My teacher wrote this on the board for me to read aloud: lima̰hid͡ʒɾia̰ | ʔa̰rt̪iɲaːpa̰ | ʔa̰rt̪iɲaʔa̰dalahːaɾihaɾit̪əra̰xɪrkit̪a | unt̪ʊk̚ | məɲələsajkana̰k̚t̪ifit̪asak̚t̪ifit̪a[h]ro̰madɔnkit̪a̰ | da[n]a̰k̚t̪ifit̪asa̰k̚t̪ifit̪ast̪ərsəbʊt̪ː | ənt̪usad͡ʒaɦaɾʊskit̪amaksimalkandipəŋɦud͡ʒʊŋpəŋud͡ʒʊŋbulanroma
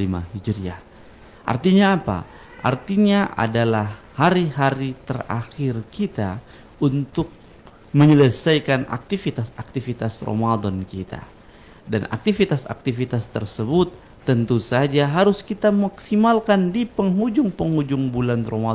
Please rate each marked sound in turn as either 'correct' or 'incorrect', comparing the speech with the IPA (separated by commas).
incorrect, correct